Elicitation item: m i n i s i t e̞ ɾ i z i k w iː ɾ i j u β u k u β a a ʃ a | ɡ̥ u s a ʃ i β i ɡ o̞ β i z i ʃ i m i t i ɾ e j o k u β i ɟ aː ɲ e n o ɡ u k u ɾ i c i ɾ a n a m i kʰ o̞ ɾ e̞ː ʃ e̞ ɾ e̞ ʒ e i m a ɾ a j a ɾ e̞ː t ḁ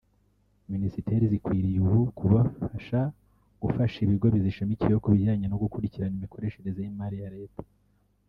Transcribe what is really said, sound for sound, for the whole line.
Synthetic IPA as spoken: m i n i s i t e̞ ɾ i z i k w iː ɾ i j u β u k u β a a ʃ a | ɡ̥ u f a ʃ i β i ɡ o̞ β i z i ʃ i m i c i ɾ e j o k u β i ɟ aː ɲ e n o ɡ u k u ɾ i c i ɾ a n i m i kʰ o̞ ɾ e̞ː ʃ e̞ ɾ e̞ z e i m a ɾ i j a ɾ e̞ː t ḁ